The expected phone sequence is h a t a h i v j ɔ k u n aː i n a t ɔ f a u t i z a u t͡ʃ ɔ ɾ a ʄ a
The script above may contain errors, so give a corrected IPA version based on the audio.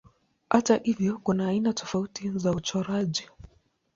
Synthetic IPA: h a t a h i v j ɔ k u n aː i n a t ɔ f a u t i z a u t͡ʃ ɔ ɾ a ʄ i